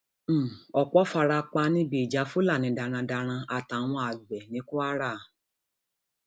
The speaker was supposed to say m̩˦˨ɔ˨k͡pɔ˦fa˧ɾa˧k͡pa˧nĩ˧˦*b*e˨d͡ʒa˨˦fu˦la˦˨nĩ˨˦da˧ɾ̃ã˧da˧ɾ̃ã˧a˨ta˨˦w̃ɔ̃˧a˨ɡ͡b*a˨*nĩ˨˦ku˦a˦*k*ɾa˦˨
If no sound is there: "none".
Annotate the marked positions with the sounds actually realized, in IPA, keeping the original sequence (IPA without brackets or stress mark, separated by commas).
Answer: b, ɛ˨, none